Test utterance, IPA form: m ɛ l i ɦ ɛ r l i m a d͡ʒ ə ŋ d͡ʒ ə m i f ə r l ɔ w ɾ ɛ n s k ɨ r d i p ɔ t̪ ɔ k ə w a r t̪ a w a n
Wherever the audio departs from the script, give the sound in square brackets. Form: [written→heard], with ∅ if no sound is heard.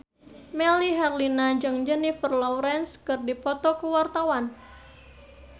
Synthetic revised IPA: m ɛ l i ɦ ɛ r l i [m→n] a d͡ʒ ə ŋ d͡ʒ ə [m→n] i f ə r l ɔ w ɾ ɛ n s k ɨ r d i p ɔ t̪ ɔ k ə w a r t̪ a w a n